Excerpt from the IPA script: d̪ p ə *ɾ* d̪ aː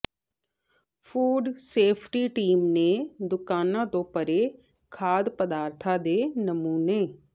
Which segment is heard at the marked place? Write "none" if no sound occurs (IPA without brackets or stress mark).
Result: none